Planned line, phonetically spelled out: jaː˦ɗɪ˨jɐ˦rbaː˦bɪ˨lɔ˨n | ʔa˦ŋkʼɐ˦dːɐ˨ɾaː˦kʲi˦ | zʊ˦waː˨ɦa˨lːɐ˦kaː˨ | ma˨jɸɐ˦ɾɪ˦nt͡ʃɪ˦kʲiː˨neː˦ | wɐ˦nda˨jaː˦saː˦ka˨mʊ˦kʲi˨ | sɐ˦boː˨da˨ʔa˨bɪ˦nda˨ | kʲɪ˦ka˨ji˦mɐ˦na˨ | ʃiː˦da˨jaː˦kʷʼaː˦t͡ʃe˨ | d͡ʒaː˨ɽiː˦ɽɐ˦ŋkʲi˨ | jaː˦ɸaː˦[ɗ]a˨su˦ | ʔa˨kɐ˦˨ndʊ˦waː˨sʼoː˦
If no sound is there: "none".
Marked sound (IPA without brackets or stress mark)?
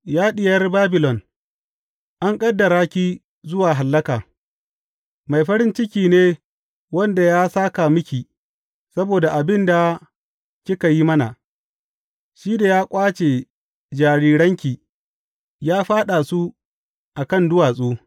ɗ